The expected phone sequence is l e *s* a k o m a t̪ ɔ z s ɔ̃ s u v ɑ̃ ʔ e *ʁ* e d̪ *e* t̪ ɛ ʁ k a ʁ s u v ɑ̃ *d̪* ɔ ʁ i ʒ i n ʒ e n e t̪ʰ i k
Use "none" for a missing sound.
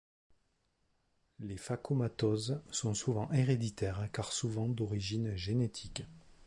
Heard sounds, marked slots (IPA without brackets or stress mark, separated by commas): f, ʁ, i, d̪